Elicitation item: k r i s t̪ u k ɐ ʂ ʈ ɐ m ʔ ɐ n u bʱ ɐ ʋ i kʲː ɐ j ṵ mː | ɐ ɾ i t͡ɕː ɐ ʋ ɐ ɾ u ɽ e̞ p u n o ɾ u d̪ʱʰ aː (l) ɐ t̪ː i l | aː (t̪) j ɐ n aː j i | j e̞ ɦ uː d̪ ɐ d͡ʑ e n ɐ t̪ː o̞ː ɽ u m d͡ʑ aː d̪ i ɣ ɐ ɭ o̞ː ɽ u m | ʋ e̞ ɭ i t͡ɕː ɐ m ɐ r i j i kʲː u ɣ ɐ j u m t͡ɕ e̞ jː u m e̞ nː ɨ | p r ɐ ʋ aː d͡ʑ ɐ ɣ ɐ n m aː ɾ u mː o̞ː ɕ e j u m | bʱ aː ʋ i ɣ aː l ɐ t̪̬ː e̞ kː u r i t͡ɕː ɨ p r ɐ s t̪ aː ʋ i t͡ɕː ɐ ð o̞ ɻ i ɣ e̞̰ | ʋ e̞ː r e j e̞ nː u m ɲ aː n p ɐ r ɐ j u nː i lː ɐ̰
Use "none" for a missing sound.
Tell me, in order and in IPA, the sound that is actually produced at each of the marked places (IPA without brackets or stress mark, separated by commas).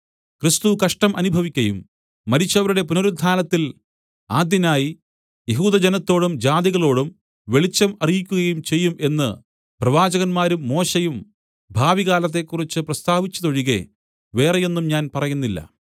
l, d̪